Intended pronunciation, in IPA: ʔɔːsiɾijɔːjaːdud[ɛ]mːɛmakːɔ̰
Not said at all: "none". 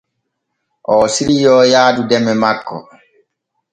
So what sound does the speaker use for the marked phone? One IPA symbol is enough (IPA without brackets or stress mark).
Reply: ɛ